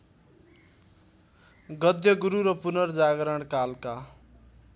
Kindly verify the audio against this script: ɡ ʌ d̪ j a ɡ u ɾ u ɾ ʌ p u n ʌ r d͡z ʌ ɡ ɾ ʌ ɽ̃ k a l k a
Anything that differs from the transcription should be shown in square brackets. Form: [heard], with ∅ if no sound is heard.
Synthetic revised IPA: ɡ ʌ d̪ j [ʌ] ɡ u ɾ u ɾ ʌ p u n ʌ r d͡z [a] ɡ ɾ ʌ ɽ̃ k a l k a